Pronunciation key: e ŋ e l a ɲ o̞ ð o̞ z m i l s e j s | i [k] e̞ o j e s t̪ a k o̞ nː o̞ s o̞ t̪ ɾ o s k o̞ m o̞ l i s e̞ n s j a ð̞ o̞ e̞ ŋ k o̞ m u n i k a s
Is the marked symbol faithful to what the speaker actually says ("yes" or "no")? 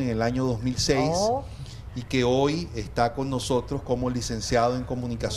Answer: yes